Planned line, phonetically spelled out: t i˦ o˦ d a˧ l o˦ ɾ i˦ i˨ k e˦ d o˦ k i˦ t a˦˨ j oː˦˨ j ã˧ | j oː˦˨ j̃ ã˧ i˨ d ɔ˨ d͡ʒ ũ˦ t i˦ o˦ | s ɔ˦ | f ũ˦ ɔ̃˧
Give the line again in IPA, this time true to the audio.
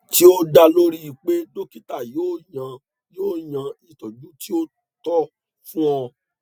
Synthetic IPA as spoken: t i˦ o˦ d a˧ l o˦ ɾ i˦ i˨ k͡p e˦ d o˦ k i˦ t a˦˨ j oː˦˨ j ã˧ | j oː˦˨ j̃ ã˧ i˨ t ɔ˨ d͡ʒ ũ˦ t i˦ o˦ | t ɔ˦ | f ũ˦ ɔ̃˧

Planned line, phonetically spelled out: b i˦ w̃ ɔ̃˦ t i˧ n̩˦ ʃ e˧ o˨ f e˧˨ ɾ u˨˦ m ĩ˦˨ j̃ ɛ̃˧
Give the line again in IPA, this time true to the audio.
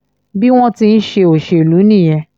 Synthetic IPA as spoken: b i˦ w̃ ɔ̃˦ t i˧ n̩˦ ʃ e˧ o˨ ʃ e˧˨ l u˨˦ n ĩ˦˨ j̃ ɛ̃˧

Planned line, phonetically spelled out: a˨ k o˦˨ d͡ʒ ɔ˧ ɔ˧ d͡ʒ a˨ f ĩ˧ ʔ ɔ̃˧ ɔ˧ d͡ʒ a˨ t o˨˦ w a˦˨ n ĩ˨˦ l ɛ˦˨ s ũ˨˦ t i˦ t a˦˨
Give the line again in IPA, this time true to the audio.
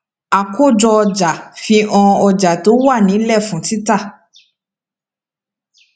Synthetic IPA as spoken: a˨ k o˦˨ d͡ʒ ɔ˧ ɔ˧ d͡ʒ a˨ f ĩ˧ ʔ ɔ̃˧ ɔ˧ d͡ʒ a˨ t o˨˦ w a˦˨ n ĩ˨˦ l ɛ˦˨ f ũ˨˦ t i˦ t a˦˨

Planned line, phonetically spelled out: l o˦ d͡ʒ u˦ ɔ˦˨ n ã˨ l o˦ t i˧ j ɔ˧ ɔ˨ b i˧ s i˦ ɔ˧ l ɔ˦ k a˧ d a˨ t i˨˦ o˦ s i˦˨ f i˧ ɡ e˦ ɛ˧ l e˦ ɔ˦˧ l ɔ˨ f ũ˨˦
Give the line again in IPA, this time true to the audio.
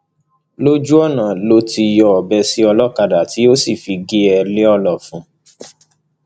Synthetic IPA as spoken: l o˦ d͡ʒ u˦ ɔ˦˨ n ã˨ l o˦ t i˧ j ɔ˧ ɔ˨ b ɛ˧ s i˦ ɔ˧ l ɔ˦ k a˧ d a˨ t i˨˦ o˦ s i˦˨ f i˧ ɡ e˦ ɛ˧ l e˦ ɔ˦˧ l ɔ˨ f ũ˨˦

